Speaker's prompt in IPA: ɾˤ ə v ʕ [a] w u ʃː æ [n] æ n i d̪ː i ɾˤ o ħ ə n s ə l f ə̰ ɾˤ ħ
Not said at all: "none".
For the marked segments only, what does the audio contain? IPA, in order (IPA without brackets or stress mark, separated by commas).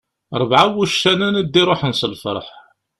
a, n